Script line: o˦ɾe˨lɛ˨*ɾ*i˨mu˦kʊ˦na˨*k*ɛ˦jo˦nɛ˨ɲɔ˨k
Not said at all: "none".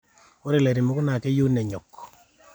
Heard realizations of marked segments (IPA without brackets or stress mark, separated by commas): ɾ, k